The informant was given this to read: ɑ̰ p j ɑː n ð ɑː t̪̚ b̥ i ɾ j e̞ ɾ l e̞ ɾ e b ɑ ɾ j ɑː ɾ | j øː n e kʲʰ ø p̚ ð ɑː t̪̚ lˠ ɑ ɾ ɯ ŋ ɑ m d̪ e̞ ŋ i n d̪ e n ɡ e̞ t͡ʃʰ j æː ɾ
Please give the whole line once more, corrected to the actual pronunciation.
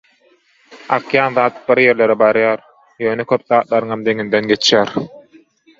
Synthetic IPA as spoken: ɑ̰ q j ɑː n ð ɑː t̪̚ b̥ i ɾ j e̞ ɾ l e̞ ɾ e b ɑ ɾ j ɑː ɾ | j øː n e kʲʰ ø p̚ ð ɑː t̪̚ lˠ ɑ ɾ ɯ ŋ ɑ m d̪ e̞ ŋ i n d̪ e n ɡ e̞ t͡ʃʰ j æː ɾ

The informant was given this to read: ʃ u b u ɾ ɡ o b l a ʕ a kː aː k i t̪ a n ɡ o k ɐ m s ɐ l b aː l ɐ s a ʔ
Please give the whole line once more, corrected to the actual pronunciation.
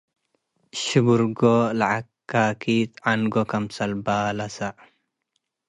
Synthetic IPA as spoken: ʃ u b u ɾ ɡ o l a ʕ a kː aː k i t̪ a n ɡ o k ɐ m s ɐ l b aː l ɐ s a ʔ

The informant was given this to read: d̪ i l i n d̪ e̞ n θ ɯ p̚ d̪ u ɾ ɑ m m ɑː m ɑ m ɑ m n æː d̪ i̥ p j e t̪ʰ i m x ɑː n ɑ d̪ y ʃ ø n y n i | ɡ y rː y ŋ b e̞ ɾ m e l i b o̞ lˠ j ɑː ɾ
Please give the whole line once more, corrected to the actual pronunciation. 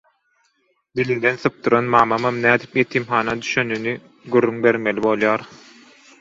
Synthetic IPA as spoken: d̪ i l i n d̪ e̞ n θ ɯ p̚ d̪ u ɾ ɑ n m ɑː m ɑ m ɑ m n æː d̪ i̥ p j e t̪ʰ i m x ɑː n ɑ d̪ y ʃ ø n y n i | ɡ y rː y ŋ b e̞ ɾ m e l i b o̞ lˠ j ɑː ɾ

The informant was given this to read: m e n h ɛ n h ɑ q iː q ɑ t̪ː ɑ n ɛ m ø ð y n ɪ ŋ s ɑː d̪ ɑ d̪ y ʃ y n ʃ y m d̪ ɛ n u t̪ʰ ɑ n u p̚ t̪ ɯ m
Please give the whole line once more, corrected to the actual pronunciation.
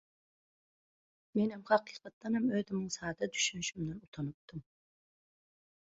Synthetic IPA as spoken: m e n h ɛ m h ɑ q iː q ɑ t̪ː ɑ n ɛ m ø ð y m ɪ ŋ s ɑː d̪ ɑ d̪ y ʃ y n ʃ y m d̪ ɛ n u t̪ʰ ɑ n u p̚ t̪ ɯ m

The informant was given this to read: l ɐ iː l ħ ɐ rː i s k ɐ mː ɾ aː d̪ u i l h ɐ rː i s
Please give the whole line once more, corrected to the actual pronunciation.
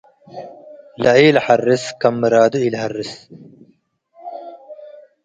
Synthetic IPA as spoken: l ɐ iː l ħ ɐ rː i s k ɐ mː ɾ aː d̪ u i l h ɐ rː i s

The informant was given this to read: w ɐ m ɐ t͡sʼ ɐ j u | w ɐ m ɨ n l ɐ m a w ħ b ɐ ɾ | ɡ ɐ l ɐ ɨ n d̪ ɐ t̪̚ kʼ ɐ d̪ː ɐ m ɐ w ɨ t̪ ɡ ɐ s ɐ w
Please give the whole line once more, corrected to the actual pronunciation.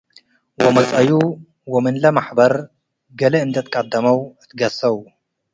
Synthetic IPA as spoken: w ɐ m ɐ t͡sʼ ɐ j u | w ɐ m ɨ n l ɐ m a ħ b ɐ ɾ | ɡ ɐ l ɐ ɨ n d̪ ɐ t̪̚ kʼ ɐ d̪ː ɐ m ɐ w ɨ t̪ ɡ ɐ s ɐ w

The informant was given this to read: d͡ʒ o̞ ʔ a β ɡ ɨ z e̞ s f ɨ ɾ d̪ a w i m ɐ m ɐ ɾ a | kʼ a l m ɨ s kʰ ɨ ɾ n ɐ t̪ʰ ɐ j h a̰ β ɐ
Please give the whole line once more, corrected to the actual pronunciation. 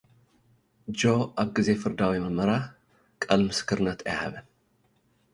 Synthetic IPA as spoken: d͡ʒ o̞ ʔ a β ɡ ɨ z e̞ f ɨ ɾ d̪ a w i m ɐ m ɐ ɾ a | kʼ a l m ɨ s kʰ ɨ ɾ n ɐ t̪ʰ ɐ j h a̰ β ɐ

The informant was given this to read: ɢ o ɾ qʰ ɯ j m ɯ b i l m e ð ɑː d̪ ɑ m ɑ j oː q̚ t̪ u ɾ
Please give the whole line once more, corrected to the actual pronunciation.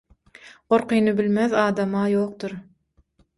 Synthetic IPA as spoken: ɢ o ɾ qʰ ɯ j n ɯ b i l m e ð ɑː d̪ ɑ m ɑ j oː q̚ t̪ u ɾ

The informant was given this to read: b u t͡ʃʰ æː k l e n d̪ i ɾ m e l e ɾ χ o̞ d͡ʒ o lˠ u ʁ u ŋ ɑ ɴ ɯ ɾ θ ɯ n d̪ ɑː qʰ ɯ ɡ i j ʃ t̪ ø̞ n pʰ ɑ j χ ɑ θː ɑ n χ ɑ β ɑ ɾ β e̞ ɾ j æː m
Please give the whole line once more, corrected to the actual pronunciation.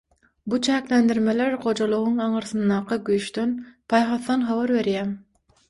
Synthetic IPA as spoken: b u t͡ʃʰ æː k l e n d̪ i ɾ m e l e ɾ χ o̞ d͡ʒ o lˠ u ʁ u ŋ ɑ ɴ ɯ ɾ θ ɯ n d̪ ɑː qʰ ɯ ɡ y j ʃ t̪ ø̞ n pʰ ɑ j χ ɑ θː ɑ n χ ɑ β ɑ ɾ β e̞ ɾ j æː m

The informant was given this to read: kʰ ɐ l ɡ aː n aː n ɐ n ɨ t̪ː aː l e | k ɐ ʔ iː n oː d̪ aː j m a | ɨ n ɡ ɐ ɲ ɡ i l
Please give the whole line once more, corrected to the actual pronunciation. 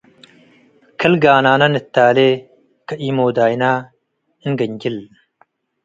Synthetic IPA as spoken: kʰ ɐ l ɡ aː n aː n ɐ n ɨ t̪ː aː l e | k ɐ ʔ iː m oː d̪ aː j n a | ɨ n ɡ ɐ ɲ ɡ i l

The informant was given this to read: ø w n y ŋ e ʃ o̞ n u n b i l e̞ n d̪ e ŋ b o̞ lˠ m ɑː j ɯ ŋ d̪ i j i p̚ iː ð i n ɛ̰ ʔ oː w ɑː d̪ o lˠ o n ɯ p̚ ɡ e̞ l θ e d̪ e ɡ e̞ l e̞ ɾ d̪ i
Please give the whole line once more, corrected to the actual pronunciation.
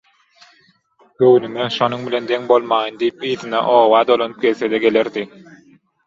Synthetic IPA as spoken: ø w n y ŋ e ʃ o̞ n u ŋ b i l e̞ n d̪ e ŋ b o̞ lˠ m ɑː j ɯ n d̪ i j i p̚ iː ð i n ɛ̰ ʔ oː w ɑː d̪ o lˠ o n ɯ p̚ ɡ e̞ l θ e d̪ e ɡ e̞ l e̞ ɾ d̪ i

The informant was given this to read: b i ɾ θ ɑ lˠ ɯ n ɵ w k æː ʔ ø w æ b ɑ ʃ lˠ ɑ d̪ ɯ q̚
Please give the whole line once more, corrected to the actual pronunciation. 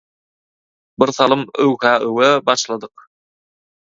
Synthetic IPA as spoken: b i ɾ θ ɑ lˠ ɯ m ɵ w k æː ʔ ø w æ b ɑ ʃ lˠ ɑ d̪ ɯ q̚

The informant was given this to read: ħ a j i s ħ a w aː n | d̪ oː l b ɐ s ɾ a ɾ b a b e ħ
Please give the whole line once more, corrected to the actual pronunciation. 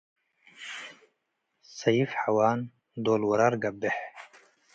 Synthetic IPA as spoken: s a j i f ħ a w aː n | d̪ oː l w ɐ ɾ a ɾ ɡ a b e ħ

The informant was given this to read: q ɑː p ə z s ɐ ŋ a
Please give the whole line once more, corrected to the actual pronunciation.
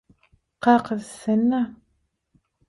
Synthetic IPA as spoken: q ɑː q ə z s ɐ n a

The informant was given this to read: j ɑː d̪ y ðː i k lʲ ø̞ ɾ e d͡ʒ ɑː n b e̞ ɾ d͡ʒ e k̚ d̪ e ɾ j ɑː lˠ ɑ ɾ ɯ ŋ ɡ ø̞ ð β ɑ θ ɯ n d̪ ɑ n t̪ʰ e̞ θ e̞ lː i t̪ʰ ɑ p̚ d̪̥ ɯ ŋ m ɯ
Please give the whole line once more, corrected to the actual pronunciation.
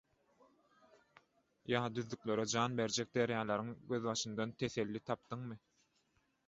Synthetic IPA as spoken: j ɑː d̪ y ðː y k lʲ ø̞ ɾ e d͡ʒ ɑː n b e̞ ɾ d͡ʒ e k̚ d̪ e ɾ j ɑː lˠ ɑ ɾ ɯ ŋ ɡ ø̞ ð β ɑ ʃ ɯ n d̪ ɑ n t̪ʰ e̞ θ e̞ lː i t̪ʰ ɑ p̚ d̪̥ ɯ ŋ m ɯ

